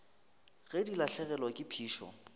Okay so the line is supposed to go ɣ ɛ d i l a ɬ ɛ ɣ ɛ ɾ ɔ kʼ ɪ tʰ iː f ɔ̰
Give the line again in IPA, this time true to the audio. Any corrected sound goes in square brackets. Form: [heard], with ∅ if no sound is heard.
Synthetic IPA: ɣ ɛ d i l a ɬ ɛ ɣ ɛ [l] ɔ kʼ ɪ [pʰ] iː [ʃ] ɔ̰